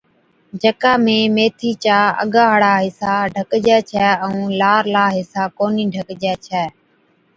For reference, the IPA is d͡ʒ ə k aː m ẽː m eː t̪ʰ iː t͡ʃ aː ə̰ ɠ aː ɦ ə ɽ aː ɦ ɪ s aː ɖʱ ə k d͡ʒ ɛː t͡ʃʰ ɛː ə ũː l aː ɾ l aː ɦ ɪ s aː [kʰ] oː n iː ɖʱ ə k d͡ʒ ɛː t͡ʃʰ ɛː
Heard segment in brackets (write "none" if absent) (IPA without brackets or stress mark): k